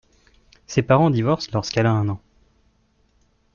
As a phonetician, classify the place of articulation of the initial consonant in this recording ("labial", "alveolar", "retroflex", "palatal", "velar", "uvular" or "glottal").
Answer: alveolar